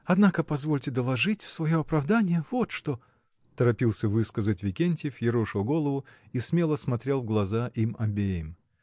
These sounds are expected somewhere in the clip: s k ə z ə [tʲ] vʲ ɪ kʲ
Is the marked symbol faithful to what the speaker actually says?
yes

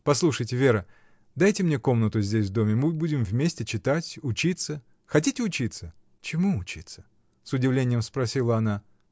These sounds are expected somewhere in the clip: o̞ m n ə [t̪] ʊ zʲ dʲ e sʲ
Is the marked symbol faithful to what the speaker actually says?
yes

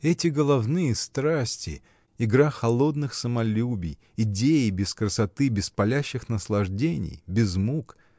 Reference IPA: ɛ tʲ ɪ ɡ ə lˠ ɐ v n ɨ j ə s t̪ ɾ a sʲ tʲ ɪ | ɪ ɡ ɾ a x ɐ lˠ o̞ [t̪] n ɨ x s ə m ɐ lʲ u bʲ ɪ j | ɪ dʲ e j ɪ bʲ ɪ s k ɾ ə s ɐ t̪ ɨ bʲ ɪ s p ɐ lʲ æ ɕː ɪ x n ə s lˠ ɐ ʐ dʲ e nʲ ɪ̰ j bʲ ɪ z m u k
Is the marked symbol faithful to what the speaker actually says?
no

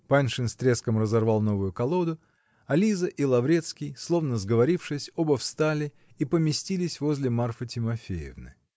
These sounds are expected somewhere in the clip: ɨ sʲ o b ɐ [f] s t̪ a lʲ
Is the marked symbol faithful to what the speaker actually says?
yes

